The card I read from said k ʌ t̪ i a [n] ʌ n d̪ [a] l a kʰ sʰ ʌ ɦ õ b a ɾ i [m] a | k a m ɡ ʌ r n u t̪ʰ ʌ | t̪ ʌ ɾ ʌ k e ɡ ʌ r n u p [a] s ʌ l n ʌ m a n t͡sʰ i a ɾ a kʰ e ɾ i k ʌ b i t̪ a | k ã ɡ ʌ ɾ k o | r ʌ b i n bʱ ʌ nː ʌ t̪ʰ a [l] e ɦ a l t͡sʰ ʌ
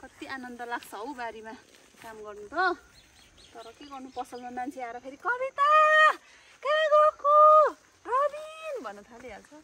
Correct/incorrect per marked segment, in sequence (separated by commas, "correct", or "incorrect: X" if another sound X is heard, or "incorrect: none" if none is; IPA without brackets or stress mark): correct, incorrect: ʌ, correct, incorrect: ʌ, correct